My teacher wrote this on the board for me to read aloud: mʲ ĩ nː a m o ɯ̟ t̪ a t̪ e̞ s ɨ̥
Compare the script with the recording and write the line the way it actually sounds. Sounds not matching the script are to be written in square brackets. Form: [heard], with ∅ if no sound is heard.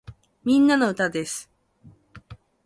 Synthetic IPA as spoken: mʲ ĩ nː a [n] o ɯ̟ t̪ a [d̪] e̞ s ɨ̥

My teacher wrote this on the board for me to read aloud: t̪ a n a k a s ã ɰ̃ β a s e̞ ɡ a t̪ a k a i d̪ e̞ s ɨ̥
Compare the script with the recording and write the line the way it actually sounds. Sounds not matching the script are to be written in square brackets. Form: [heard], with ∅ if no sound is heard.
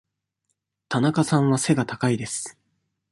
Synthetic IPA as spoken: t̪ a n a k a s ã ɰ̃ β a s e̞ ɡ a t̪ a k a i d̪ e̞ s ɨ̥

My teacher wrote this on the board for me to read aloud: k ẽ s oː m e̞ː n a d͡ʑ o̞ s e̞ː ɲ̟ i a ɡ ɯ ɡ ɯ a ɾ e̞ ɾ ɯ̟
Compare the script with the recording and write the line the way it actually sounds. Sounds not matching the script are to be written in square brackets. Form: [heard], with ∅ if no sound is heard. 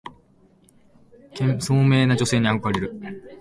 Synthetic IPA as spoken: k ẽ s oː m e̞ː n a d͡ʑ o̞ s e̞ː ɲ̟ i a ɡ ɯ [k] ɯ a ɾ e̞ ɾ ɯ̟

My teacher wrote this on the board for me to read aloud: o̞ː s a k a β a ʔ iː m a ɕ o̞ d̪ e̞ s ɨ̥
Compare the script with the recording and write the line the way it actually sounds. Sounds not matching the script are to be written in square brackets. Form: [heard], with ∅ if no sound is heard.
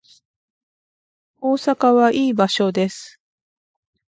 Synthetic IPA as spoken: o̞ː s a k a β a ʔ iː [b] a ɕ o̞ d̪ e̞ s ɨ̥

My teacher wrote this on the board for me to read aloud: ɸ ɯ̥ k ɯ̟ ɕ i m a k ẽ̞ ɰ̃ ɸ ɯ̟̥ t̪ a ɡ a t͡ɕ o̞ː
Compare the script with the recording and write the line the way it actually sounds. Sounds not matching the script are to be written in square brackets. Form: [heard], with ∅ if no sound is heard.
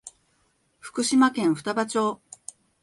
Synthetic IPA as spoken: ɸ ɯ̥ k ɯ̟ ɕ i m a k ẽ̞ ɰ̃ ɸ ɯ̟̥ t̪ a [b] a t͡ɕ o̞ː

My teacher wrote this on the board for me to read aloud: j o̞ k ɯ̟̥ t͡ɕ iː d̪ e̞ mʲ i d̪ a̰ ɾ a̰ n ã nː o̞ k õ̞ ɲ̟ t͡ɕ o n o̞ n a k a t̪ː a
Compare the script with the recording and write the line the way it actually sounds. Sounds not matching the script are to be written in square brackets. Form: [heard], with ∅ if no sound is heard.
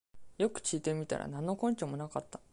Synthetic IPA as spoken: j o̞ k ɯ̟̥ t͡ɕ iː [t̪] e̞ mʲ i [t̪] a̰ ɾ a̰ n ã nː o̞ k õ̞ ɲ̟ t͡ɕ o [m] o̞ n a k a t̪ː a

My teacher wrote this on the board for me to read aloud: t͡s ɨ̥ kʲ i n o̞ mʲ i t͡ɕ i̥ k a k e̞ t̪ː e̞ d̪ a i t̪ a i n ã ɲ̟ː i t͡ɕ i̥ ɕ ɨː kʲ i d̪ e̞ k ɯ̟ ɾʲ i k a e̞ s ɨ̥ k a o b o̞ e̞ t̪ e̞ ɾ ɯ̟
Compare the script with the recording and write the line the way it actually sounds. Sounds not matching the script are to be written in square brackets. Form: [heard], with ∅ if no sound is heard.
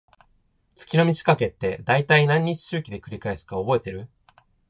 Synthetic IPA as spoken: t͡s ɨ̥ kʲ i n o̞ mʲ i t͡ɕ i̥ k a k e̞ t̪ː e̞ d̪ a i t̪ a i n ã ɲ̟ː i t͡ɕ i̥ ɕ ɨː kʲ i d̪ e̞ k ɯ̟ ɾʲ i k a e̞ s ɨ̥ k a o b o̞ e̞ t̪ e̞ ɾ ɯ̟

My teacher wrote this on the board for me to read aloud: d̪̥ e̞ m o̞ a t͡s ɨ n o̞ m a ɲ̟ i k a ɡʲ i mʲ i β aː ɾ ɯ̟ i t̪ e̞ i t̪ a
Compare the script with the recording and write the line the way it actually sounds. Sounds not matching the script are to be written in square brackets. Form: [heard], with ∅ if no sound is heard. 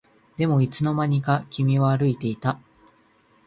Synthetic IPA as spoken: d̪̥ e̞ m o̞ [i] t͡s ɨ n o̞ m a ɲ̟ i k a [kʲ] i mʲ i β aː ɾ ɯ̟ i t̪ e̞ i t̪ a

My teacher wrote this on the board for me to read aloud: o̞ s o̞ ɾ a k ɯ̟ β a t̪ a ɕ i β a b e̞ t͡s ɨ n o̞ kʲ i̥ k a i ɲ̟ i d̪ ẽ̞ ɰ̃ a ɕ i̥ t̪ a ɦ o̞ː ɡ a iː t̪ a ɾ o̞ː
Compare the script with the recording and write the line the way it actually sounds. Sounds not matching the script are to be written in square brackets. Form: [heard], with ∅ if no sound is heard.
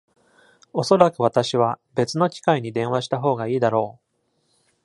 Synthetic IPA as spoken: o̞ s o̞ ɾ a k ɯ̟ β a t̪ a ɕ i β a b e̞ t͡s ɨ n o̞ kʲ i̥ k a i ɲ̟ i d̪ ẽ̞ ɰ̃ a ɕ i̥ t̪ a ɦ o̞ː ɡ a iː [d̪] a ɾ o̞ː

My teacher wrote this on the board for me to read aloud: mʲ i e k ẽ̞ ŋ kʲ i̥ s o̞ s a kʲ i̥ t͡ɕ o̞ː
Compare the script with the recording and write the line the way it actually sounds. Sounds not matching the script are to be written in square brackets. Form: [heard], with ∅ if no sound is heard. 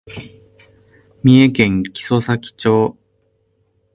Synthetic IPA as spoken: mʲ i e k ẽ̞ ŋ kʲ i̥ s o̞ s a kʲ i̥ t͡ɕ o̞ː

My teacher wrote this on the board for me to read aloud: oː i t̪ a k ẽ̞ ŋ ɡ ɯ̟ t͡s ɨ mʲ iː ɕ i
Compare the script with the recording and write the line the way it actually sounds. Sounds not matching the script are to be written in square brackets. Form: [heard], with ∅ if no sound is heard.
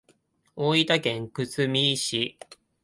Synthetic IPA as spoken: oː i t̪ a k ẽ̞ ŋ [k] ɯ̟ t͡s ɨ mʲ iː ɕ i

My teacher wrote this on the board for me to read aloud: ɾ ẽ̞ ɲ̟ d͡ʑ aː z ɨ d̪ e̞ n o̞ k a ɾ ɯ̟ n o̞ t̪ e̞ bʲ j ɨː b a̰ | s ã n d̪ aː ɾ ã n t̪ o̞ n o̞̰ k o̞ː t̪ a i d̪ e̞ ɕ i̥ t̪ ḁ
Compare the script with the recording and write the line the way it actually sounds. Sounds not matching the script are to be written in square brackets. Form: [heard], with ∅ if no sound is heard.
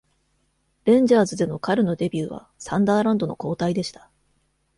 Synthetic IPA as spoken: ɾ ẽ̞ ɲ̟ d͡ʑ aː z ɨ d̪ e̞ n o̞ k a ɾ ɯ̟ n o̞ [d̪] e̞ bʲ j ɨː [β] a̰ | s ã n d̪ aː ɾ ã n [d̪] o̞ n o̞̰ k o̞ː t̪ a i d̪ e̞ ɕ i̥ t̪ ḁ

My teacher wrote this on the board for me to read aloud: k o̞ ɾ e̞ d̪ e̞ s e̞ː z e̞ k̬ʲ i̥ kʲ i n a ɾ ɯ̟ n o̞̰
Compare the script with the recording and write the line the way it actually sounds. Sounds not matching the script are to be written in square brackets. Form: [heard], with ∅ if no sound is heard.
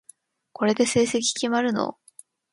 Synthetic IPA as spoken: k o̞ ɾ e̞ d̪ e̞ s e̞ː [s] e̞ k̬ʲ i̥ kʲ i [m] a ɾ ɯ̟ n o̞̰

